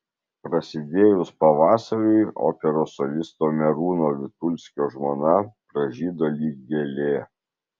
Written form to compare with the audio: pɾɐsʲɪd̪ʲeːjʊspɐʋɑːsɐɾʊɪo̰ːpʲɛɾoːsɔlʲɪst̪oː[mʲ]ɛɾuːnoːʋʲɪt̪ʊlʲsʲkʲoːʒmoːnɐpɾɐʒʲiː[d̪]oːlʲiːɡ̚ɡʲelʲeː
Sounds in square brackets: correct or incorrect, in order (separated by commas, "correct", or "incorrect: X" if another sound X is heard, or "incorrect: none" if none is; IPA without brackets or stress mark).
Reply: correct, correct